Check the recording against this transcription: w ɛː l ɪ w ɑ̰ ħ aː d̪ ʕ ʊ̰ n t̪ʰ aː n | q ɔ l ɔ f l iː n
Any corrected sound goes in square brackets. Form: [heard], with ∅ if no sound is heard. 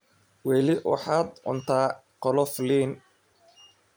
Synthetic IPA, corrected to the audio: w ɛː l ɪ w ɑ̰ ħ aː d̪ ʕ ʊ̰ n t̪ʰ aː [∅] | q ɔ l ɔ f l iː n